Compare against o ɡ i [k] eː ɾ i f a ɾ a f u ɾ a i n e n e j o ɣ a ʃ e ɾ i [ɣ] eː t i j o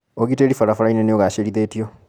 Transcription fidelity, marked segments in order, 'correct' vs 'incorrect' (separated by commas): incorrect, incorrect